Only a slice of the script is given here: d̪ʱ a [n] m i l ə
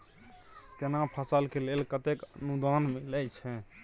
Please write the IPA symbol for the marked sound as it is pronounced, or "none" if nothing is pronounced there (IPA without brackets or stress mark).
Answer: n